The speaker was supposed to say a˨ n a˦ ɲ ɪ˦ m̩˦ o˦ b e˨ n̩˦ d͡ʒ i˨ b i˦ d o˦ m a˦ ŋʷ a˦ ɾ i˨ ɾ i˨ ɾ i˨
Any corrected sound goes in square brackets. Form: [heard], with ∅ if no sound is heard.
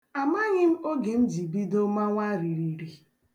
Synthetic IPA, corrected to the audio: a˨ [m] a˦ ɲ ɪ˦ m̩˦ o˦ [ɡ] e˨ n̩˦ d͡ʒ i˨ b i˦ d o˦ m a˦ ŋʷ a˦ ɾ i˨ ɾ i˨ ɾ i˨